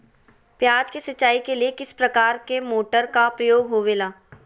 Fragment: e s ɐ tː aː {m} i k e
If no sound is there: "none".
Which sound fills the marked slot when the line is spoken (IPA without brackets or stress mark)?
none